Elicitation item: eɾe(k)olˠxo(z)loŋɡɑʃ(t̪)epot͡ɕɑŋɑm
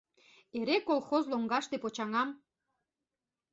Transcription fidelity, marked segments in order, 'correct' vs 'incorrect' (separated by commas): correct, correct, correct